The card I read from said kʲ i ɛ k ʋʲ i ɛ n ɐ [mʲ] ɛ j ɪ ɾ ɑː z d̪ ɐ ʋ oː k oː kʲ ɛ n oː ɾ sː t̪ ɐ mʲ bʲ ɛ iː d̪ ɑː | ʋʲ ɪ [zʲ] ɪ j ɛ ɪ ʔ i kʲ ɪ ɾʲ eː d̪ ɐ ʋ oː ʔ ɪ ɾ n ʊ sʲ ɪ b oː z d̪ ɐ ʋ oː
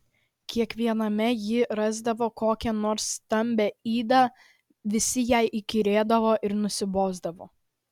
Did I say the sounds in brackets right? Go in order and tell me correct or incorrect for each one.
correct, incorrect: sʲ

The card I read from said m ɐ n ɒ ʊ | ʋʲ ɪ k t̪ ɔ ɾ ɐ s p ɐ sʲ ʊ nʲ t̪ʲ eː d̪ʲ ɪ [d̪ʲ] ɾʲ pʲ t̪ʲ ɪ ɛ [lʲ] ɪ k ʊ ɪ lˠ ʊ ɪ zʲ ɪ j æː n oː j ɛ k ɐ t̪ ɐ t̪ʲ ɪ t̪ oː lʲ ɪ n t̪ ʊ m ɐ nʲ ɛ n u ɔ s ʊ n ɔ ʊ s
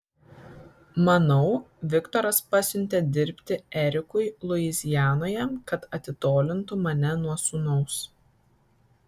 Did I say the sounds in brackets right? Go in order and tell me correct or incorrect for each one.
incorrect: none, incorrect: ɾʲ

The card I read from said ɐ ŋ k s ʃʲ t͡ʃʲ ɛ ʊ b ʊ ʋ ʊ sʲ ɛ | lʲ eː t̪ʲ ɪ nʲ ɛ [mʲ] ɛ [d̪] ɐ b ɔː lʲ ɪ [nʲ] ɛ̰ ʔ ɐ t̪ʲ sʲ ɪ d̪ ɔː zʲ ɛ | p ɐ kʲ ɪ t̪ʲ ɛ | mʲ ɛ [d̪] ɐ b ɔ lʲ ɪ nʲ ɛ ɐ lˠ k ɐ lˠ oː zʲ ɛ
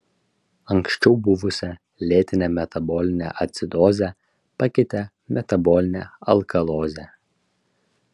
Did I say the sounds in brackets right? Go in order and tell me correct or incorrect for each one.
correct, incorrect: t̪, correct, incorrect: t̪

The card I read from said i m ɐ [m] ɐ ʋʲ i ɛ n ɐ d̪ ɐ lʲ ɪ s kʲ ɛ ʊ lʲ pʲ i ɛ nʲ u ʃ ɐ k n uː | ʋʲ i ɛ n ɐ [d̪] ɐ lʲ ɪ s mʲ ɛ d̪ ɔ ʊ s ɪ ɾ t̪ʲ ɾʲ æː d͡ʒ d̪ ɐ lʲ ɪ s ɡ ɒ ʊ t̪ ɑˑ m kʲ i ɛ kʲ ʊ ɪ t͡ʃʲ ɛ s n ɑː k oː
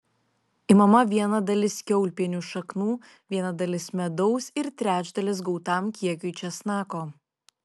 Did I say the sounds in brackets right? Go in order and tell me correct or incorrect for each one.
correct, correct

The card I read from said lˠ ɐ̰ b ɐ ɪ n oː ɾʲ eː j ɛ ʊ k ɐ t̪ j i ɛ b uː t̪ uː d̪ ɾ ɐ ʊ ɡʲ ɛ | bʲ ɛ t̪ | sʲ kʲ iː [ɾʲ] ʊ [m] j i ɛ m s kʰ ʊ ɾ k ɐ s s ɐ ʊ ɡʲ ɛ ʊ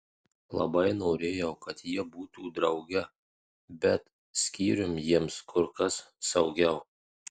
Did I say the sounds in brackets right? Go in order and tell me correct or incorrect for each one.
correct, correct

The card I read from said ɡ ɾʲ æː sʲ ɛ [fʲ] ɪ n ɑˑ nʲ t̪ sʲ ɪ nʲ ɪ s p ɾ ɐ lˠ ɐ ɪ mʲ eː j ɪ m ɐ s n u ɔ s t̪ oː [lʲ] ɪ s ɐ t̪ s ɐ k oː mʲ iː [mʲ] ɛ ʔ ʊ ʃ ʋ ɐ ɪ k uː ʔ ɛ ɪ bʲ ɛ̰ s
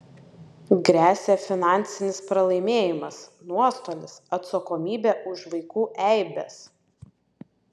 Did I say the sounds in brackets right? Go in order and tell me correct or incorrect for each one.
correct, correct, incorrect: bʲ

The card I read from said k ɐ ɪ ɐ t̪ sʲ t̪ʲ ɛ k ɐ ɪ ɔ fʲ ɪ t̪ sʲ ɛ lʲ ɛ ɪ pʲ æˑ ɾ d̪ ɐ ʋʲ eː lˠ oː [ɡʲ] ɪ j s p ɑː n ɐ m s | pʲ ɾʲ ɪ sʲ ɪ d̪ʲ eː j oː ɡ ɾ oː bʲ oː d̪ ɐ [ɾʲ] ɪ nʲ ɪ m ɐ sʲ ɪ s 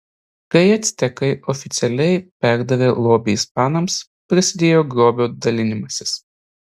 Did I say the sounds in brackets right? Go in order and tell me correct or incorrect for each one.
incorrect: bʲ, incorrect: lʲ

